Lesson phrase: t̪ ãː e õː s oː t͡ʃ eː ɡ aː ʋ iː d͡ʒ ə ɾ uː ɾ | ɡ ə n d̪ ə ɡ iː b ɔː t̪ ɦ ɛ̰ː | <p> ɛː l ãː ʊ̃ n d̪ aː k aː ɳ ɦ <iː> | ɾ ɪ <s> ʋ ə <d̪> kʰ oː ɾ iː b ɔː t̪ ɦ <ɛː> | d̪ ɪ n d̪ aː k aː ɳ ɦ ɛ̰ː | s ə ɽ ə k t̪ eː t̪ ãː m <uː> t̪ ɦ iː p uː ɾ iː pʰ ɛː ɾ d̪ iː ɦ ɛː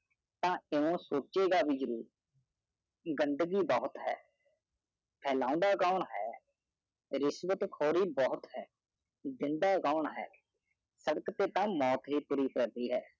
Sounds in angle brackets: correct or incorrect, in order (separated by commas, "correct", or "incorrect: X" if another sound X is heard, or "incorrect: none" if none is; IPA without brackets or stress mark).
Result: incorrect: pʰ, incorrect: ɛː, correct, incorrect: t̪, correct, incorrect: ɔː